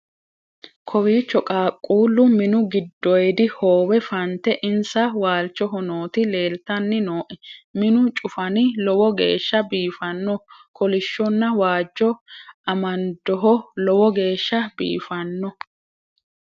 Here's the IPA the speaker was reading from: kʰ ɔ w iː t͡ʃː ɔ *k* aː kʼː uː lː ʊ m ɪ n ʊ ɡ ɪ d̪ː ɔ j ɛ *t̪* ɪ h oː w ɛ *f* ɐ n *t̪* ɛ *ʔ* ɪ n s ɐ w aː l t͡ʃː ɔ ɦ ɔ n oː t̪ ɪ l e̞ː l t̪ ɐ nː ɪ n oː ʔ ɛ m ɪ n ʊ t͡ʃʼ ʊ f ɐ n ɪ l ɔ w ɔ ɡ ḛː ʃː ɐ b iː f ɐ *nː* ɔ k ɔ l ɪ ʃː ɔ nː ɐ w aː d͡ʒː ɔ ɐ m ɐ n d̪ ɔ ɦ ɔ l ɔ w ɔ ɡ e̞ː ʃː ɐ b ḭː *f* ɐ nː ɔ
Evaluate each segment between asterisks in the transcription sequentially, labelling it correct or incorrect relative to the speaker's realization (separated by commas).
incorrect, incorrect, correct, correct, correct, correct, correct